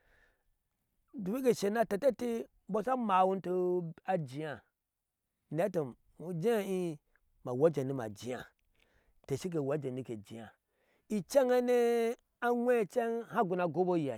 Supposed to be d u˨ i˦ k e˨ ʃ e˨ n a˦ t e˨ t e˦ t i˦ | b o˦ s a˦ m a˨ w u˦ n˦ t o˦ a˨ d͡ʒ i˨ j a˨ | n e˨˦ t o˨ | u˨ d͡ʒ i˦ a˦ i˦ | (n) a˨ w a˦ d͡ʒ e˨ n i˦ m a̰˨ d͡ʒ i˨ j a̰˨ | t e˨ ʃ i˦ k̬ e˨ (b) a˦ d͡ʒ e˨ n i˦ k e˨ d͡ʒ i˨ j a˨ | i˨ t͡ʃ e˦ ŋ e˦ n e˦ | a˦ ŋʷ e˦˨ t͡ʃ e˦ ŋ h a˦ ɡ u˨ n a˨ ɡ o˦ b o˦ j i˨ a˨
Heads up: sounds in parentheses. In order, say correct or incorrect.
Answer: incorrect: m, incorrect: w

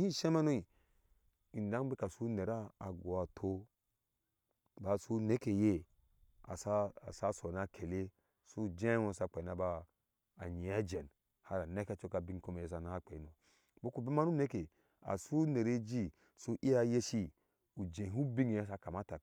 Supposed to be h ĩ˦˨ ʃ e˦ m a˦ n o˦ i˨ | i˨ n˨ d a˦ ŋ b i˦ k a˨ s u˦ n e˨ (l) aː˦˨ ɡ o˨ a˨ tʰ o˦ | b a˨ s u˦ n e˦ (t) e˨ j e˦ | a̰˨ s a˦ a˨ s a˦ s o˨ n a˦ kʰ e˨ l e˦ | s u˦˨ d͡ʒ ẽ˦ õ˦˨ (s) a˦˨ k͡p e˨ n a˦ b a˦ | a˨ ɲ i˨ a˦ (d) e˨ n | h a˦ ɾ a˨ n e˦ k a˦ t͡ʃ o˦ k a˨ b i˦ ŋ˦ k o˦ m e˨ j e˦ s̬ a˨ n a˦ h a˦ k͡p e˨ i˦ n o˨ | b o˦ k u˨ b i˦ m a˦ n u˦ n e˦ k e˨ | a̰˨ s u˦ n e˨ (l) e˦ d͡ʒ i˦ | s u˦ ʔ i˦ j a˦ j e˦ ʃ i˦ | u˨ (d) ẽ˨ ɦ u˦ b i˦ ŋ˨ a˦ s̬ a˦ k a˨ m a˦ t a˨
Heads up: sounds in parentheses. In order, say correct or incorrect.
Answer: incorrect: ɾ, incorrect: k, correct, incorrect: d͡ʒ, incorrect: ɾ, incorrect: d͡ʒ

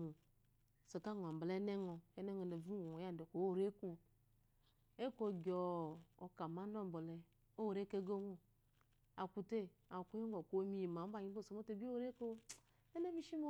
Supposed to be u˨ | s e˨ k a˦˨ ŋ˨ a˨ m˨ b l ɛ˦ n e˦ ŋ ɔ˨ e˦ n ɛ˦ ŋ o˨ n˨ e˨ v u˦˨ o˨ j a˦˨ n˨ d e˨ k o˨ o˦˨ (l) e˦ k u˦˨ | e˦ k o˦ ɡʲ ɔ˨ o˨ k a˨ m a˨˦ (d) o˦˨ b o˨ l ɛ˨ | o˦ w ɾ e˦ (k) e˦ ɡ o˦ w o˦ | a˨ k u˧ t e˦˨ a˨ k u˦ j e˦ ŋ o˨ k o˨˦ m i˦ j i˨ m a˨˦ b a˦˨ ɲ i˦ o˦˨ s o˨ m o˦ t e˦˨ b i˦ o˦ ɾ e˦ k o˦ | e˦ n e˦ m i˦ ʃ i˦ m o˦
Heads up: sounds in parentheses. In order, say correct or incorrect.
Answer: incorrect: ɾ, incorrect: n, correct

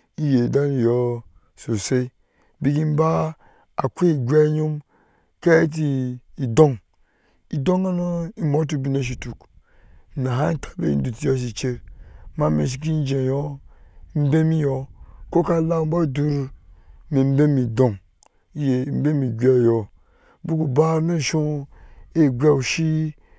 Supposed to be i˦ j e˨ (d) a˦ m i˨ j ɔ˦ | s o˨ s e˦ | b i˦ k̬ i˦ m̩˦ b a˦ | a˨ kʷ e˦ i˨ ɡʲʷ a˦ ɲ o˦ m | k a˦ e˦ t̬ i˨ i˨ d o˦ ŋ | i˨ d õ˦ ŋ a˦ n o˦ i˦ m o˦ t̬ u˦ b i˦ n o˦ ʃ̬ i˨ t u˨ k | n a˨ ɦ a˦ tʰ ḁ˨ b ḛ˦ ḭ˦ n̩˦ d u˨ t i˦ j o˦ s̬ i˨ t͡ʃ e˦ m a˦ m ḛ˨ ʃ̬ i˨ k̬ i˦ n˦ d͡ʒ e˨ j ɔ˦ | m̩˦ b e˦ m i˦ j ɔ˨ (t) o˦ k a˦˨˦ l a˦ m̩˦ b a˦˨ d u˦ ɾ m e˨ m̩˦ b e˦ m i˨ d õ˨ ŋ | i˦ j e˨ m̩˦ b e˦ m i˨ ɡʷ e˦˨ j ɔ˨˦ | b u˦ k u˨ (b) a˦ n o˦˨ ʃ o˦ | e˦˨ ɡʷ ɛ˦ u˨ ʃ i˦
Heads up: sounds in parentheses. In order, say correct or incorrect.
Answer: correct, incorrect: k, correct

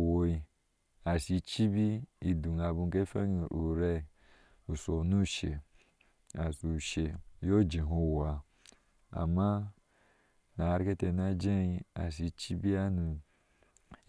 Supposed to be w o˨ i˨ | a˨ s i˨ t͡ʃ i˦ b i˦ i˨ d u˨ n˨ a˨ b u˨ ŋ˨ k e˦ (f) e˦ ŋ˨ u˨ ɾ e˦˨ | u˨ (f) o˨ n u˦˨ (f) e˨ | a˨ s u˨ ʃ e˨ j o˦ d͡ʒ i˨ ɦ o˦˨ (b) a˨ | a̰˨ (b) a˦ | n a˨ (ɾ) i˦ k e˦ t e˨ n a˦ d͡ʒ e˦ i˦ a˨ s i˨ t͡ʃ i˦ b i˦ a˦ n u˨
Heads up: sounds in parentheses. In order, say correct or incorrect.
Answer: correct, incorrect: s, incorrect: ʃ, incorrect: w, incorrect: m, correct

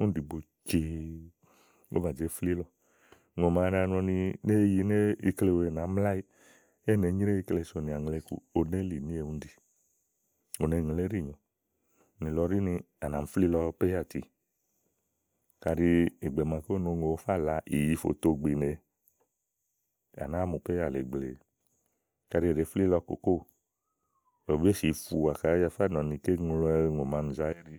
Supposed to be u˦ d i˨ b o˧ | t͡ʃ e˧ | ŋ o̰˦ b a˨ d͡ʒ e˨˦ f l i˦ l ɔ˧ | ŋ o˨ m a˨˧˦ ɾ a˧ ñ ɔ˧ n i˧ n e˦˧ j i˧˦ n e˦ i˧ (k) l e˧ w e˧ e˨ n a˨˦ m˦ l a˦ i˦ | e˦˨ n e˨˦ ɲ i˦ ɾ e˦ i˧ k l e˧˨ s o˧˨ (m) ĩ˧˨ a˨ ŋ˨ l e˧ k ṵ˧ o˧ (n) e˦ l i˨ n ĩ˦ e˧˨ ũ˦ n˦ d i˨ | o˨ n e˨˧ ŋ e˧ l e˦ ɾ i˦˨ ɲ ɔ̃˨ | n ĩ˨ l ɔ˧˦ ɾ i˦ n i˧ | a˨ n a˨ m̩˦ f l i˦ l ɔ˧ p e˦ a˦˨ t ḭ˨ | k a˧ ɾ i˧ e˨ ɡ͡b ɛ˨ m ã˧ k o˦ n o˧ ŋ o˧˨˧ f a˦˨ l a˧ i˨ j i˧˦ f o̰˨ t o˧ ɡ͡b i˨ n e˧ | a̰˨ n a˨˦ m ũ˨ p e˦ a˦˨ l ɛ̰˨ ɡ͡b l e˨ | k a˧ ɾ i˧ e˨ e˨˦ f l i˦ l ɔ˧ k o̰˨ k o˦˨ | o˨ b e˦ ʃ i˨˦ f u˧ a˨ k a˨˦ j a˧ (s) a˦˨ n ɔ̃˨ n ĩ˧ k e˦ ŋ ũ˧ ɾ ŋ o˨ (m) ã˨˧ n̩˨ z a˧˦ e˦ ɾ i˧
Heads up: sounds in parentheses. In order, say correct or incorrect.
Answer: correct, incorrect: n, correct, incorrect: f, correct

